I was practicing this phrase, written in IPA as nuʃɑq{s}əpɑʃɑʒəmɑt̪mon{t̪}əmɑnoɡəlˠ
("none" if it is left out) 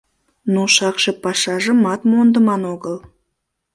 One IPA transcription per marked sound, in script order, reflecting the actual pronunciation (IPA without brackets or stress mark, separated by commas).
ʃ, d̪